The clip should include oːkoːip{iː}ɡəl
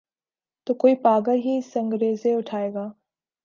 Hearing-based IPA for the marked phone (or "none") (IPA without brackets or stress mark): aː